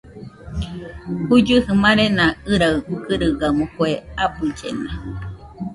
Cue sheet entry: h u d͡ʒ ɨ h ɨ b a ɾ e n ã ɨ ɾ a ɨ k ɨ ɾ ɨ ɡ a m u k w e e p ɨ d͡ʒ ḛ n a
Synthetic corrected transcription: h u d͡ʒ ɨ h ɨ m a ɾ e n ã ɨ ɾ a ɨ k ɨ ɾ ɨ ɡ a m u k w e a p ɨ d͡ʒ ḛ n a